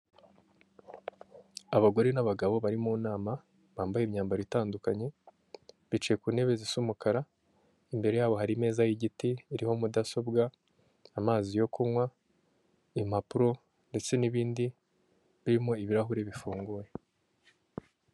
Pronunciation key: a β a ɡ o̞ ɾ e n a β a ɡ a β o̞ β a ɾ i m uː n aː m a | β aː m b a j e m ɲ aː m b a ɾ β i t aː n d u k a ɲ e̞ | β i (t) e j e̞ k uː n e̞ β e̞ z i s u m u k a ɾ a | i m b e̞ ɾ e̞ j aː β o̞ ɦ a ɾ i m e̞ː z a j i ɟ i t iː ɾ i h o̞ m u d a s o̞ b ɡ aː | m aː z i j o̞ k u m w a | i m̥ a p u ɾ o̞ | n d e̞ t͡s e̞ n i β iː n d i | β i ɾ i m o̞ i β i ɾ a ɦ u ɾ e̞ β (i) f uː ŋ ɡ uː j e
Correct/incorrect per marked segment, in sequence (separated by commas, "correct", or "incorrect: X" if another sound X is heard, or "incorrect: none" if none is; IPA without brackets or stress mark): incorrect: t͡ʃ, correct